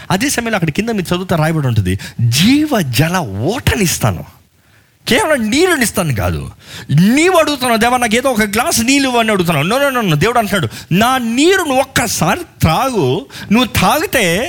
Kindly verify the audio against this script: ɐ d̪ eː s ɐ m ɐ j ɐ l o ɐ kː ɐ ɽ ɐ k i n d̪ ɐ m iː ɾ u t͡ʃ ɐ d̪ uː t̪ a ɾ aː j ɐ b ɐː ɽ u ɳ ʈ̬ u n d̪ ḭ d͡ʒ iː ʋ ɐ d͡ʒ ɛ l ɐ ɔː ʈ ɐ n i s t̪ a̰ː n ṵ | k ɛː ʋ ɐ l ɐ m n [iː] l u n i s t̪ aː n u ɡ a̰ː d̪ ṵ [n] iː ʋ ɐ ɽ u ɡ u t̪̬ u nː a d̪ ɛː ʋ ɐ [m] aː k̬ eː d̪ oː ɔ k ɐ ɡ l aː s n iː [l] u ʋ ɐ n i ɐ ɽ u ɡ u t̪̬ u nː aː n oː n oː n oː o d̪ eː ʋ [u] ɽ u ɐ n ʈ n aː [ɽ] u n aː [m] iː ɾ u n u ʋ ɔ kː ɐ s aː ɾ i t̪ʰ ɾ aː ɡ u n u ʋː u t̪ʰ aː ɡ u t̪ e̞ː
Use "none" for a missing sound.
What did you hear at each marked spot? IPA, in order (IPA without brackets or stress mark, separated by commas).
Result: iː, n, n, l, u, ɽ, n